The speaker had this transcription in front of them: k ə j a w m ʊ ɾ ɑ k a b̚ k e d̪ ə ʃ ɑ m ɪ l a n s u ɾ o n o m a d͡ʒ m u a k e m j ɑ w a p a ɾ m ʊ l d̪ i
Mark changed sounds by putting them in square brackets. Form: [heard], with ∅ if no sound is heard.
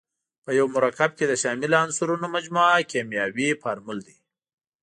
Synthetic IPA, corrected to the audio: [p] ə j a w m ʊ ɾ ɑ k a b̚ k e d̪ ə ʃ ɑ m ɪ l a n s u ɾ [u] n o m a d͡ʒ m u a k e m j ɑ w [i] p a ɾ m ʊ l d̪ i